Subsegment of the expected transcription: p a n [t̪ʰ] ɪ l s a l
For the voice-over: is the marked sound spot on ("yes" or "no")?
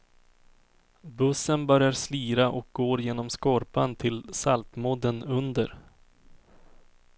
yes